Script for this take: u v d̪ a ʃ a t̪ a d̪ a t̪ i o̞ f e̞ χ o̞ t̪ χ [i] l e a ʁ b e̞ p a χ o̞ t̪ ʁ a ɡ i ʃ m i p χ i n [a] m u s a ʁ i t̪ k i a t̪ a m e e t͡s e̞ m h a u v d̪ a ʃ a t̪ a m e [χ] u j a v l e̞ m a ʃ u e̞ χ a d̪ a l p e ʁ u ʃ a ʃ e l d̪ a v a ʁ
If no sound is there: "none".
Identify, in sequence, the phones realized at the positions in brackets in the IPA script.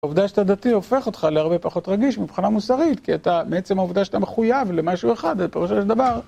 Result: a, a, χ

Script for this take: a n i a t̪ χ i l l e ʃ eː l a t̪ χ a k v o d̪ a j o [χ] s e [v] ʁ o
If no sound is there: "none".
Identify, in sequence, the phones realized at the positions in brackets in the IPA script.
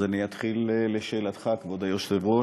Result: ʃ, v

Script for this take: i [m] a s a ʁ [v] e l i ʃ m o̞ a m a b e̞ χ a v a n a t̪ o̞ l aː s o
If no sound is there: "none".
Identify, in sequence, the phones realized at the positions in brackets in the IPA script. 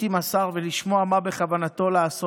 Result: m, v

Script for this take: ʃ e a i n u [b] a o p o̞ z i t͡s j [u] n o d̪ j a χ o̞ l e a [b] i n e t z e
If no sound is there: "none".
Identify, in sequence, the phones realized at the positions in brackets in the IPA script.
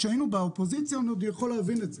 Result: b, o, v

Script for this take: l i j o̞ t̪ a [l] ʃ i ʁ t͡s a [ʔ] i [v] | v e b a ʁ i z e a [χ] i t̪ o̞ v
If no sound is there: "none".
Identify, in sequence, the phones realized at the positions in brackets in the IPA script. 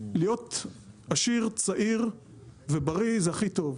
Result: none, ʔ, ʁ, χ

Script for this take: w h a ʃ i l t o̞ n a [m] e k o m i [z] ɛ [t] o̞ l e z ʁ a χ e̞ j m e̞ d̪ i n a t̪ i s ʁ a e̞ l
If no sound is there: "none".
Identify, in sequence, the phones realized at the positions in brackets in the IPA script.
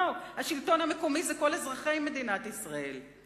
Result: m, z, k

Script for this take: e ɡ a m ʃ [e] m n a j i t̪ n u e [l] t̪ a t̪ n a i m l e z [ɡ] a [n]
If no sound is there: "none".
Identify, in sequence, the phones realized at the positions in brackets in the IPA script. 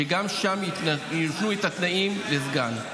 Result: a, none, ɡ, n

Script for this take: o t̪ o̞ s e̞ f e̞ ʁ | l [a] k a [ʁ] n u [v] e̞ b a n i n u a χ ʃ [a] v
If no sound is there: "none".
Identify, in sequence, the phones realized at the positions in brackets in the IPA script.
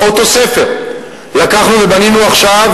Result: a, χ, v, a

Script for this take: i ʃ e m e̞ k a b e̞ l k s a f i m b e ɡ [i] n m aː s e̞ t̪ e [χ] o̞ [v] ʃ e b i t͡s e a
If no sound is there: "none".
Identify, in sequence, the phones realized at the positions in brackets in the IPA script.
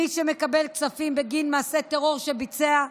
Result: i, ʁ, ʁ

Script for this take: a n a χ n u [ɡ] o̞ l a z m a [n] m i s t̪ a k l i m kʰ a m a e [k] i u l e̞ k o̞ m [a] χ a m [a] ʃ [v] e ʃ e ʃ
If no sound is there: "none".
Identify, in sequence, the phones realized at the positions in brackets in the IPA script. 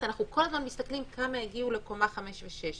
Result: k, n, ɡ, a, e, v

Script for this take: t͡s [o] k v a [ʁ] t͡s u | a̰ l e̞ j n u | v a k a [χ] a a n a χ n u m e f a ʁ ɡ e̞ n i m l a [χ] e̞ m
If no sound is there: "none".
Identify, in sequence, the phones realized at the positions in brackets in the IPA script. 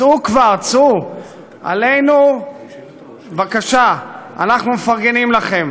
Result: u, ʁ, ʃ, χ

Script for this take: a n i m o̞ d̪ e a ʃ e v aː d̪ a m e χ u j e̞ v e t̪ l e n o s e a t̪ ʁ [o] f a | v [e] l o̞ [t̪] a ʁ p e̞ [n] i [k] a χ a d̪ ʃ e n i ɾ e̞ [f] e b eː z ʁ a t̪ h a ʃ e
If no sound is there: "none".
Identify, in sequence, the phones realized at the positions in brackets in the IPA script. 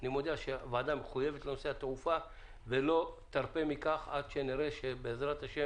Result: u, e, t̪, m, k, ʃ

